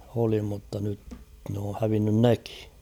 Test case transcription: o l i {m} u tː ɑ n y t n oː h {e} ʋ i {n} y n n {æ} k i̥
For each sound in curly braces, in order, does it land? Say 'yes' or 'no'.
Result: yes, no, no, no

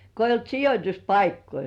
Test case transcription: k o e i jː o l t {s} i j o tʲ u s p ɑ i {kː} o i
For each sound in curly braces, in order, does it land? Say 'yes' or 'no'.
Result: yes, yes

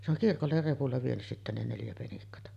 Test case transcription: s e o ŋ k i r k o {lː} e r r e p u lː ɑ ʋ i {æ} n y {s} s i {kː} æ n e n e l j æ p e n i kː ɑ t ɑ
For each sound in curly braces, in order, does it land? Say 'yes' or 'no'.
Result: yes, no, yes, no

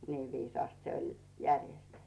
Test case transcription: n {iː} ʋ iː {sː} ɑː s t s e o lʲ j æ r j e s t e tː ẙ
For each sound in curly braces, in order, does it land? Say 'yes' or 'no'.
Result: yes, no

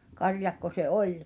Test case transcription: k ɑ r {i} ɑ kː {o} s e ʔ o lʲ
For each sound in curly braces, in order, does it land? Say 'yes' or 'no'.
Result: no, yes

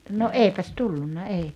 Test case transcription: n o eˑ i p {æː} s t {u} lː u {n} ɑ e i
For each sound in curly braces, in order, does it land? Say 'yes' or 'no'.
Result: no, yes, no

